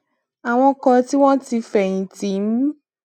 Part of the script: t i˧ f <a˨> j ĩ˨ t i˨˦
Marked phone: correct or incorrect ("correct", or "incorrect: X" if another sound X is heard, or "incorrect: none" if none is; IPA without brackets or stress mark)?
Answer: incorrect: ɛ˨